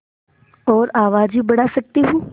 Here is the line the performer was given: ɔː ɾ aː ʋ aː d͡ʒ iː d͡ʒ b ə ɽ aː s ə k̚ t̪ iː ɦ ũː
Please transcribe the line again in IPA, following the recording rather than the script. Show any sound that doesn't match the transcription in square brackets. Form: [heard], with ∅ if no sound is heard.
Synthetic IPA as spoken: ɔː ɾ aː ʋ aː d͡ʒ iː [∅] b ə ɽ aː s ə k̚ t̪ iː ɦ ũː